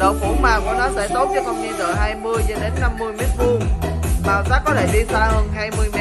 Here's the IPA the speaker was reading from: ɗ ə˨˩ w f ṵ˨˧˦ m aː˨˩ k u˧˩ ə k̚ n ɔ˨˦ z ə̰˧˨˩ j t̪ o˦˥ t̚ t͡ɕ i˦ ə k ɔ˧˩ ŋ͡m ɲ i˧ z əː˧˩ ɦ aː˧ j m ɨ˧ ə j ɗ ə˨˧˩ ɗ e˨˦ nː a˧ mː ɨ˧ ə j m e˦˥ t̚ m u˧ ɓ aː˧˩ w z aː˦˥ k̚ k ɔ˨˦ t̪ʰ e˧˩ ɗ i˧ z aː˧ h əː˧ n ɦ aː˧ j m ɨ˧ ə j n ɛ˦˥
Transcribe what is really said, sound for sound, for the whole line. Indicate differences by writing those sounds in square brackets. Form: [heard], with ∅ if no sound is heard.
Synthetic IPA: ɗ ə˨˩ w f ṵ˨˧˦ m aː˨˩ k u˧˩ ə [∅] n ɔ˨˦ z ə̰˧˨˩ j t̪ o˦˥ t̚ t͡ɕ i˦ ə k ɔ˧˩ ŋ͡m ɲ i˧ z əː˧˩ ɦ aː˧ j m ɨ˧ ə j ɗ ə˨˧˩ ɗ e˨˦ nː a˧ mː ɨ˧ ə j m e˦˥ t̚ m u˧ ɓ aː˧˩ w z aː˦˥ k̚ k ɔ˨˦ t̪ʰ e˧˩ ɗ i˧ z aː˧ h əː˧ n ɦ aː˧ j m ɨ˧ ə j [m] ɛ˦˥